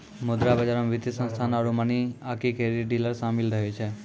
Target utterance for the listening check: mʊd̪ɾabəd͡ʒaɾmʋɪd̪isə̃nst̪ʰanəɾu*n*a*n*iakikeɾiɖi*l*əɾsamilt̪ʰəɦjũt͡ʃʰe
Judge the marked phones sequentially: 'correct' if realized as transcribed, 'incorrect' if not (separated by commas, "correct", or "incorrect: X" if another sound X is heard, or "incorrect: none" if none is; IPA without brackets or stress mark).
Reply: incorrect: m, correct, correct